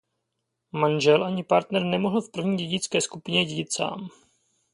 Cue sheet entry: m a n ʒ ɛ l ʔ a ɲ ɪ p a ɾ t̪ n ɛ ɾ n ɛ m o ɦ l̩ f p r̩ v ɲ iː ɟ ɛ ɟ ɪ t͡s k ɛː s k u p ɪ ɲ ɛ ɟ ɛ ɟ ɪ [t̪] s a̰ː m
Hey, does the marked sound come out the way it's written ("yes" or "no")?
yes